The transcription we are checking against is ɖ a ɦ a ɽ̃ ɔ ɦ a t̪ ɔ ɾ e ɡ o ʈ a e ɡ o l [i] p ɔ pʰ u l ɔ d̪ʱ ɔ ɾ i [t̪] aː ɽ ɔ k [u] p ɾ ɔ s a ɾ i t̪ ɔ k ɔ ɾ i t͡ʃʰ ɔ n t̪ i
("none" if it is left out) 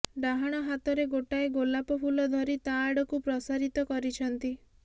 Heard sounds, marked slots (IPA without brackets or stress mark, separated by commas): a, t̪, u